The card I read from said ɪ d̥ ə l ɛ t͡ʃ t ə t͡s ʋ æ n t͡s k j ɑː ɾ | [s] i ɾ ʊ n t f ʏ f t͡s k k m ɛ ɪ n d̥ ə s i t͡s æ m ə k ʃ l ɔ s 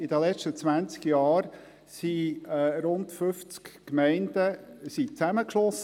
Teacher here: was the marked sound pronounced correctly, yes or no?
yes